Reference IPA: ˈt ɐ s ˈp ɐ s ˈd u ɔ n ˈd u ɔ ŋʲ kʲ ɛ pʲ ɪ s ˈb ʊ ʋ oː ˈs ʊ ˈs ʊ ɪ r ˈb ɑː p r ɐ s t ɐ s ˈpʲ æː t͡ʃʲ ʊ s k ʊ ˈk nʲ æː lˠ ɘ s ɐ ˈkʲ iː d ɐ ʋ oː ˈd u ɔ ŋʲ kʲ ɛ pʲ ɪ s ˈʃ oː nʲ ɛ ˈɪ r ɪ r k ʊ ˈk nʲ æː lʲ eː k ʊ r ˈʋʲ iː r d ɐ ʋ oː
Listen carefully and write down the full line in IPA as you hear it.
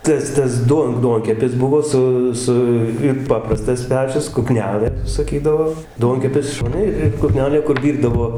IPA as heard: ˈt ɐ s ˈt ɐ s ˈd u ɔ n ˈd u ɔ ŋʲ kʲ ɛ pʲ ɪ s ˈb ʊ ʋ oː ˈs ʊ ˈs ʊ ɪ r ˈp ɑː p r ɐ s t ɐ s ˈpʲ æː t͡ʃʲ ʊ s k ʊ ˈk nʲ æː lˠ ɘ s ɐ ˈkʲ iː d ɐ ʋ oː ˈd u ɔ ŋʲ kʲ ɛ pʲ ɪ s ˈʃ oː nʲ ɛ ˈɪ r ɪ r k ʊ ˈk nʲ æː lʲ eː k ʊ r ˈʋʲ iː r d ɐ ʋ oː